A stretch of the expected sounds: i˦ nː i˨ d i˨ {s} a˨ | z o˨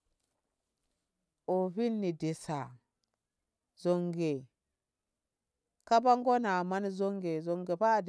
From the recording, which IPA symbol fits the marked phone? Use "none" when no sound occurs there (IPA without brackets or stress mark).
s